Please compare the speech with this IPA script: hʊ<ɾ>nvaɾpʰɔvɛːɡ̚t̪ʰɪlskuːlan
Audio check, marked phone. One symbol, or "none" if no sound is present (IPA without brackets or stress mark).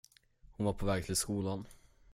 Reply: none